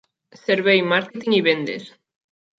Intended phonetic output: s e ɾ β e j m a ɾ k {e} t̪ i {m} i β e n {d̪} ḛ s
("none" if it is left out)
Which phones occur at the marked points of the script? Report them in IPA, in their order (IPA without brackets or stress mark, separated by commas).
e, ŋ, d̪